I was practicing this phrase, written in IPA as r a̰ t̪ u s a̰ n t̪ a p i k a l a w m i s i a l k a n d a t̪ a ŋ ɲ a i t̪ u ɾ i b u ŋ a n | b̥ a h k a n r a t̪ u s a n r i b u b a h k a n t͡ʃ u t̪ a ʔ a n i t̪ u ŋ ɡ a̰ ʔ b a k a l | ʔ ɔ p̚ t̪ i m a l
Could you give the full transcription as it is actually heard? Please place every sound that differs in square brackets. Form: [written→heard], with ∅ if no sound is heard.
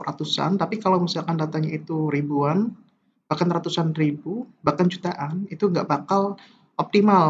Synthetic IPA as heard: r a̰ t̪ u s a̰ n t̪ a p i k a l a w m i s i a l k a n d a t̪ a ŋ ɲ a i t̪ u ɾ i b u [ŋ→∅] a n | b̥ a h k a n r a t̪ u s a n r i b u b a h k a n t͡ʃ u t̪ a ʔ a n i t̪ u ŋ ɡ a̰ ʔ b a k a l | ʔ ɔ p̚ t̪ i m a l